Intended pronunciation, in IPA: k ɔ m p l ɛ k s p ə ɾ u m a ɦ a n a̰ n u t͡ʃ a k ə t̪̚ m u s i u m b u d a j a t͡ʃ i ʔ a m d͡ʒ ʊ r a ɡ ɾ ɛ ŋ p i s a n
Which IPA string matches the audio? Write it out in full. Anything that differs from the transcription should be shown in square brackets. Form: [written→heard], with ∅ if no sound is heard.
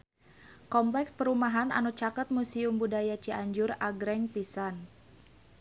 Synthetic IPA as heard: k ɔ m p l ɛ k s p ə ɾ u m a ɦ a n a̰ n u t͡ʃ a k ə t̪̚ m u s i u m b u d a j a t͡ʃ i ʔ a [m→ɲ] d͡ʒ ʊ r a ɡ ɾ ɛ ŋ p i s a n